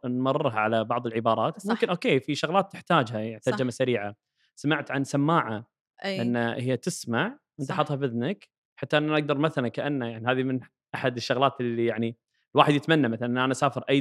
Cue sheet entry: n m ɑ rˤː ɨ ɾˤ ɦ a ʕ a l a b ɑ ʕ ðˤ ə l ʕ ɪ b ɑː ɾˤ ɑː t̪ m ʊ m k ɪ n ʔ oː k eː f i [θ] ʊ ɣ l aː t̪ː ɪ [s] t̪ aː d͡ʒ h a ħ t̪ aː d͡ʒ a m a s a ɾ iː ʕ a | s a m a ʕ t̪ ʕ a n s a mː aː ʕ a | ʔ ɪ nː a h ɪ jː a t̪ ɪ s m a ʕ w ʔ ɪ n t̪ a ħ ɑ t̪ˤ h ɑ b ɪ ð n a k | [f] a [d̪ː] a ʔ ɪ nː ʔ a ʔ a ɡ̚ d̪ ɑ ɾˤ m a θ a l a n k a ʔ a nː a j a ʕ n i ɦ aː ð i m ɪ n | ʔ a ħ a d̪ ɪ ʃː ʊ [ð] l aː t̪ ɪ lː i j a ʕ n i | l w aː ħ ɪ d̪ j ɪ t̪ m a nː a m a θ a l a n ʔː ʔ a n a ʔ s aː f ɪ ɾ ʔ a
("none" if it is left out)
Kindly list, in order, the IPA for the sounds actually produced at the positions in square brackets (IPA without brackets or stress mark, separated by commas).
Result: ʃ, ħ, ħ, t̪ː, ɣ